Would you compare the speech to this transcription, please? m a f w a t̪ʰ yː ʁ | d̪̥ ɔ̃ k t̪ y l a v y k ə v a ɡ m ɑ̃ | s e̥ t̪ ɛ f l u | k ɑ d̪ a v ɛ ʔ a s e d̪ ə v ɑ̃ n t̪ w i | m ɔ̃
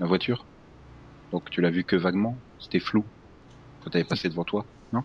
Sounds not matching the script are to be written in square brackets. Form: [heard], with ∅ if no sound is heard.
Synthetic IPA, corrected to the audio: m a [v] w a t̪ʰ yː ʁ | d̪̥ ɔ̃ k t̪ y l a v y k ə v a ɡ m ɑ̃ | s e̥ t̪ ɛ f l u | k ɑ [t̪] a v ɛ [p] a s e d̪ ə v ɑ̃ [∅] t̪ w [a] | [n] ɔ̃